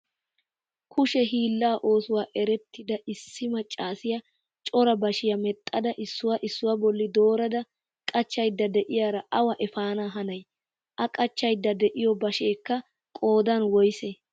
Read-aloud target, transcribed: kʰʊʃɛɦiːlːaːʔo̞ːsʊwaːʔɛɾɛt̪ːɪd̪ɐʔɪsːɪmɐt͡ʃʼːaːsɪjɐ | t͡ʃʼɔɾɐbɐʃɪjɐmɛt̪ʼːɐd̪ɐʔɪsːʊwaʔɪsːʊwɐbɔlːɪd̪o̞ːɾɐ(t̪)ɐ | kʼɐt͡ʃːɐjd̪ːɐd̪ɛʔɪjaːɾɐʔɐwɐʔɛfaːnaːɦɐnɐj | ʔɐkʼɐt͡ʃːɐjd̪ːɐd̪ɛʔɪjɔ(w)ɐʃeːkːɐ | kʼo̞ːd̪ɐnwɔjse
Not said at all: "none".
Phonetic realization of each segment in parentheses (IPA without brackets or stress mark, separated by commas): d̪, b